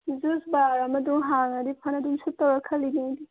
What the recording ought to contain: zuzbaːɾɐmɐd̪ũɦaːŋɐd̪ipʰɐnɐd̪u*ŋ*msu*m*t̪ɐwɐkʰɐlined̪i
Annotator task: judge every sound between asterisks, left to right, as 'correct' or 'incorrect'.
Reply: incorrect, incorrect

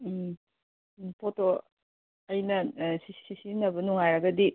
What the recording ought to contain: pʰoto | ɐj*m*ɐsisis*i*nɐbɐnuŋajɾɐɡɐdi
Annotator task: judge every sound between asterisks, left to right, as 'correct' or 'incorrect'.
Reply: incorrect, correct

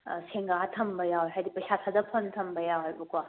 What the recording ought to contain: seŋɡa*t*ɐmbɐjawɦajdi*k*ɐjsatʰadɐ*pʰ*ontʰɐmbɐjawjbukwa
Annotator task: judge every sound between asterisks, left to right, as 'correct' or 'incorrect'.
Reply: incorrect, incorrect, correct

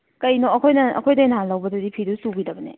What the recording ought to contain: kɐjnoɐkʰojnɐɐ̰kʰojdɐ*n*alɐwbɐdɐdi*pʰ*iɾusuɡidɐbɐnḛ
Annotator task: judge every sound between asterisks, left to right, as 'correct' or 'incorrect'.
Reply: correct, correct

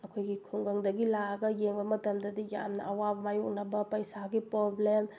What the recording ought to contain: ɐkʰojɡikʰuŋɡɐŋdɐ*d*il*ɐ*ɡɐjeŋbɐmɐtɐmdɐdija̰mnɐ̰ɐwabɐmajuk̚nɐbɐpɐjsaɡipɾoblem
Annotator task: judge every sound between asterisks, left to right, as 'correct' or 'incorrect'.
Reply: incorrect, incorrect

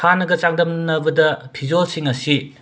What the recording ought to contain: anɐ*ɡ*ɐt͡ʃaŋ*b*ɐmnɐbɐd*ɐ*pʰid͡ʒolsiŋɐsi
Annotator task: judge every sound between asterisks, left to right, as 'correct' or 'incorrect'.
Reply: correct, incorrect, correct

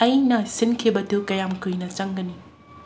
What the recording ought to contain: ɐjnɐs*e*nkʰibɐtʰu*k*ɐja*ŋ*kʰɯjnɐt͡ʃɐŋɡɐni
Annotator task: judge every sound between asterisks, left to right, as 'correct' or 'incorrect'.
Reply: incorrect, correct, incorrect

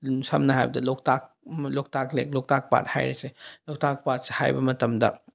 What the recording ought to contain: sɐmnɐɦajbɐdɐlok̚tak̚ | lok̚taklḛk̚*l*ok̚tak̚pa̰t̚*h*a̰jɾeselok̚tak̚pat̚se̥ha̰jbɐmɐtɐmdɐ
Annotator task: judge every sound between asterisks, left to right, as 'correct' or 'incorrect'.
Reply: correct, correct

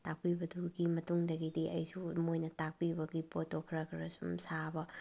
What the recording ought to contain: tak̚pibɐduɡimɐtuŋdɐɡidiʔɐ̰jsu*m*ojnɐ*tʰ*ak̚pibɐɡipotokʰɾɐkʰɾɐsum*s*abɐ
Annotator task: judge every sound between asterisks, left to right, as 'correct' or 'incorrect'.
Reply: correct, incorrect, correct

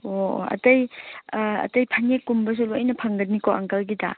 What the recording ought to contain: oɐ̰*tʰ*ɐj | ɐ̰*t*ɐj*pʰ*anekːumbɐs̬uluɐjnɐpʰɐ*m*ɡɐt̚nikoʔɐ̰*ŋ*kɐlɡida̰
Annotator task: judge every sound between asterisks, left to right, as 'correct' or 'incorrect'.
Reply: incorrect, correct, correct, incorrect, correct

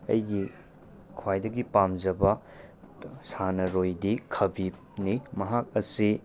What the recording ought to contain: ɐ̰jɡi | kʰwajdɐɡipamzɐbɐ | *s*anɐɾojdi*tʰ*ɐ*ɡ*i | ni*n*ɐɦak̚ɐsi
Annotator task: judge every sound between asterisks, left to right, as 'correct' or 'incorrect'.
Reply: correct, incorrect, incorrect, incorrect

